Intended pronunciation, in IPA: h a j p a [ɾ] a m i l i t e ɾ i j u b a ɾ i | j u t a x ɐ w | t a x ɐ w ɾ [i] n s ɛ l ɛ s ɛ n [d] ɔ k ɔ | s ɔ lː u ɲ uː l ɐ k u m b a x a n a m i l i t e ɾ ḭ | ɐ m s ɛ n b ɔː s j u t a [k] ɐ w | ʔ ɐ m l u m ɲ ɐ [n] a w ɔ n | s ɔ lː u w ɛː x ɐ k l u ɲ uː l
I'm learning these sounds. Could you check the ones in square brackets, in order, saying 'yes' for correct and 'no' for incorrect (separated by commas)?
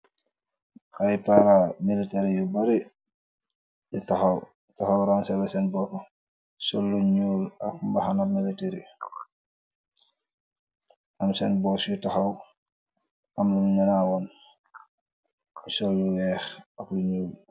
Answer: yes, no, no, no, yes